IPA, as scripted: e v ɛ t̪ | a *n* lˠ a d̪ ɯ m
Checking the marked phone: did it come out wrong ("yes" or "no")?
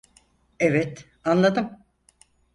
no